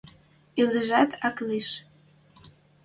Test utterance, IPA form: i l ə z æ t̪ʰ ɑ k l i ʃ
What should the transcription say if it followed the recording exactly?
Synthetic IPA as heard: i l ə ʒ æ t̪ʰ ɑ k l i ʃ